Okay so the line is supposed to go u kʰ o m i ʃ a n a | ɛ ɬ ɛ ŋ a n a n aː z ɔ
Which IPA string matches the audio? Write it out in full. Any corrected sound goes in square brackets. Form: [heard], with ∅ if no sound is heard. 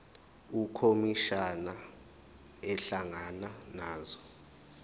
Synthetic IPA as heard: u kʰ o m i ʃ a n a | ɛ ɬ [a] ŋ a n a n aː z ɔ